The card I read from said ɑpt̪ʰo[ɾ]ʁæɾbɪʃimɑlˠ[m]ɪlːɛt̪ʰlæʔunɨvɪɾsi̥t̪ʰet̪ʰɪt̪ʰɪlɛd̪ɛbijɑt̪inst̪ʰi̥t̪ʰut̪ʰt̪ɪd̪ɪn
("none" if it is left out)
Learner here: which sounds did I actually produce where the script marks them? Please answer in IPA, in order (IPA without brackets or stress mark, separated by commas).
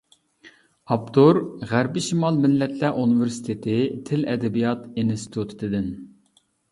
ɾ, m